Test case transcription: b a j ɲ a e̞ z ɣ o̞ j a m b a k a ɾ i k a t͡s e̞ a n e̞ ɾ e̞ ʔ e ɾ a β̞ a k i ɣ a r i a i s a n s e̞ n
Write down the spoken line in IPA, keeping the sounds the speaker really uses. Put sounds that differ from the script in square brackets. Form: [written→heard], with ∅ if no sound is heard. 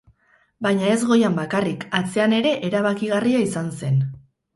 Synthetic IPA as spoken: b a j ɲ a e̞ z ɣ o̞ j a m b a k a [ɾ→r] i k a t͡s e̞ a n e̞ ɾ e̞ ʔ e ɾ a β̞ a k i ɣ a r i a i s a n s e̞ n